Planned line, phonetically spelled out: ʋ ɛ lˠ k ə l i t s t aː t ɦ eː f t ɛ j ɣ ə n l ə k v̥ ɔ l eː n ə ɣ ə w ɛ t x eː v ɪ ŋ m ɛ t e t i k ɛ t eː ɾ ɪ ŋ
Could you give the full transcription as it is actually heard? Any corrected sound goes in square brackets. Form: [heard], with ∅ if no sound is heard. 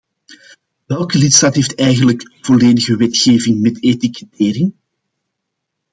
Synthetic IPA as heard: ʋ ɛ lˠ k ə l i t s t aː t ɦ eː f t ɛ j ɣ ə n l ə k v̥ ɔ l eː [d] ə ɣ ə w ɛ t x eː v ɪ ŋ m ɛ t e t i k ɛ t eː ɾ ɪ ŋ